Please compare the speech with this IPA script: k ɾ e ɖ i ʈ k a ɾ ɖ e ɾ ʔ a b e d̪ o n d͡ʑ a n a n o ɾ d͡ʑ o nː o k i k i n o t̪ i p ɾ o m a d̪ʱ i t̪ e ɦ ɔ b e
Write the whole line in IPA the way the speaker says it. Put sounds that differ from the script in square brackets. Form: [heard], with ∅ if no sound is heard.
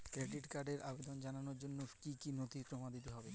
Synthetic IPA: k ɾ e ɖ i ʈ k a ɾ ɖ e ɾ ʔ a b e d̪ o n d͡ʑ a n a n o ɾ d͡ʑ o nː o k i k i n o t̪ i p ɾ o m a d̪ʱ i t̪ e ɦ ɔ b e